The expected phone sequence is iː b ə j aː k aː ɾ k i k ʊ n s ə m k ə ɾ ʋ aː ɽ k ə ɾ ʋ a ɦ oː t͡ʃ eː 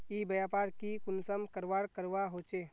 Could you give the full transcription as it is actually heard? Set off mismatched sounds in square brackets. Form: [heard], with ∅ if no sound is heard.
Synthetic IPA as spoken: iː b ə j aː [p] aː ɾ k i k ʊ n s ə m k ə ɾ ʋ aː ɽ k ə ɾ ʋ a ɦ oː t͡ʃ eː